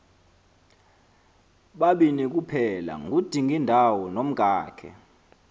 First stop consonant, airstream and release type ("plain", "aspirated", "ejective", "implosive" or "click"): implosive